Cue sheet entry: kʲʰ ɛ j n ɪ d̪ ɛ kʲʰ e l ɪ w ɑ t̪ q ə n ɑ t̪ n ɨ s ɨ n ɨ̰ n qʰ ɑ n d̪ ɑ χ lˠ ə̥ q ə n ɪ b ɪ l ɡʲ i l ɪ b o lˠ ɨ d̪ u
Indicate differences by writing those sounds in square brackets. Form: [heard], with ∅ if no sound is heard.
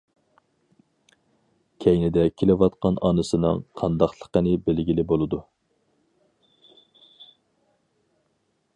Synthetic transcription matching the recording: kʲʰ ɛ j n ɪ d̪ ɛ kʲʰ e l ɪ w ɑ t̪ q [ɑ] n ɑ [∅] n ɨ s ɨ n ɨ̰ [ŋ] qʰ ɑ n d̪ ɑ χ lˠ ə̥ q ə n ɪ b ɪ l ɡʲ i l ɪ b o lˠ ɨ d̪ u